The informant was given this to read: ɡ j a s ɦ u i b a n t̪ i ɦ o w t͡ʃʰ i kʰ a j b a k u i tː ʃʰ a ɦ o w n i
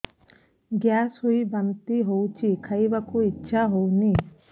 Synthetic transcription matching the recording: ɡ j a s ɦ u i b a n t̪ i ɦ o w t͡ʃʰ i kʰ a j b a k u i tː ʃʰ a ɦ o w n i